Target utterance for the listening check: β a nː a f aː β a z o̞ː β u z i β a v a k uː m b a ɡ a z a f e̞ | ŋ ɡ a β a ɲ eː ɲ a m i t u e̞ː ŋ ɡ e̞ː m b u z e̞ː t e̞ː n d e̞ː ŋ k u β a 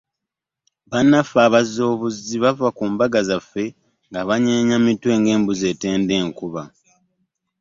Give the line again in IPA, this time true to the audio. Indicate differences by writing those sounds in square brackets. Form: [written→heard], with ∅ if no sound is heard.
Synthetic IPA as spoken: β a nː a f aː β a z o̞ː β u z i β a v a k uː m b a ɡ a z a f e̞ | ŋ ɡ a β a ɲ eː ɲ a m i t [u→w] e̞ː ŋ ɡ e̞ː m b u z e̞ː t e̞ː n d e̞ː ŋ k u β a